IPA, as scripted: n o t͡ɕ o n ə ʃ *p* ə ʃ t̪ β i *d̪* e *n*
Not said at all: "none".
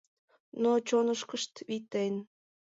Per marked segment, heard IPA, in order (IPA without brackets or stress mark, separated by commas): k, t̪, n